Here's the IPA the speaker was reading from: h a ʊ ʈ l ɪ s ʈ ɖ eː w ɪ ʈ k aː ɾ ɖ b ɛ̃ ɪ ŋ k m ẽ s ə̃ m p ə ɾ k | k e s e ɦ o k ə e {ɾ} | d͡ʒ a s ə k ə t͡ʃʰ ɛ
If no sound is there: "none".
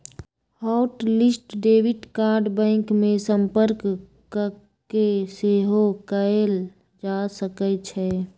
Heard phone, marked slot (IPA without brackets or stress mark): l